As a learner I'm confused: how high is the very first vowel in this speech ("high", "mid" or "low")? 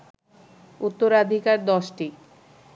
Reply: high